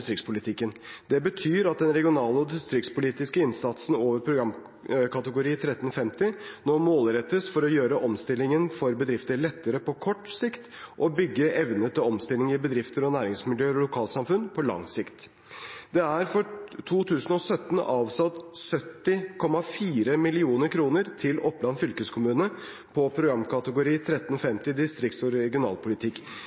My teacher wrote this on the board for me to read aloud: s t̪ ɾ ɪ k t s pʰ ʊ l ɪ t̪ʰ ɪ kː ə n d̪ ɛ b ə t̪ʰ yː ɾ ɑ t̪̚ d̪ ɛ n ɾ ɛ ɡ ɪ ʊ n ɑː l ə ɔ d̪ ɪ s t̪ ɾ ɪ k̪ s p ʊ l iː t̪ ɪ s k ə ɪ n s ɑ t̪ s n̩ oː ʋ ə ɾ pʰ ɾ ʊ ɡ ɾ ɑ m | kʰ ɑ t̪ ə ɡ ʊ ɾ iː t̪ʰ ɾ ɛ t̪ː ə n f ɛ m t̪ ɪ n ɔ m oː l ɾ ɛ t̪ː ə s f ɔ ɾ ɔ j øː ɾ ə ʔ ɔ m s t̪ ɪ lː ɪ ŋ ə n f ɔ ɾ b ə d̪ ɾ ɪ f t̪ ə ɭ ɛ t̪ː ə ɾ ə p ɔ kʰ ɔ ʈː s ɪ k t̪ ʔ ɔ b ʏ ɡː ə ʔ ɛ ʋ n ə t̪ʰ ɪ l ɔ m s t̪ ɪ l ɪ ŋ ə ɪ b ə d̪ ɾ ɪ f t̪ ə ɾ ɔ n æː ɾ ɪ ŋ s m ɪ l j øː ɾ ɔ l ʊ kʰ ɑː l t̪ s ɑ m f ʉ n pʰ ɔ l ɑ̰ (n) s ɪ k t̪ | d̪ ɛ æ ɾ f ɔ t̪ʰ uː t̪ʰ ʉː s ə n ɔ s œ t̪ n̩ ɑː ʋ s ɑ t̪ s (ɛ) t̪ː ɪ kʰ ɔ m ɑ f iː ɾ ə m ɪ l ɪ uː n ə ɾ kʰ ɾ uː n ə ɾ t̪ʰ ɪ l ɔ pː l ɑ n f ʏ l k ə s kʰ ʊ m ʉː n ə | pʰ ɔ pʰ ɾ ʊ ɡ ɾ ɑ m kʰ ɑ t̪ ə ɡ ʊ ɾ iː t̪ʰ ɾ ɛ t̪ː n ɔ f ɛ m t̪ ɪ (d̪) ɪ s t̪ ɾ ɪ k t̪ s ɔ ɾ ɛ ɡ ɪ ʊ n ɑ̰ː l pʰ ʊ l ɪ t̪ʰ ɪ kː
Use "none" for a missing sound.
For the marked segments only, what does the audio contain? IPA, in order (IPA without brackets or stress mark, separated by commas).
ŋ, œ, d̪